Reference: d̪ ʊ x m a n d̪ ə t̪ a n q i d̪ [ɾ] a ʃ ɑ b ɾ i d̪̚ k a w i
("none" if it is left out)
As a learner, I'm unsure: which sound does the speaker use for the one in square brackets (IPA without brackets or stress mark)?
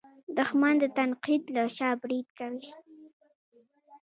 l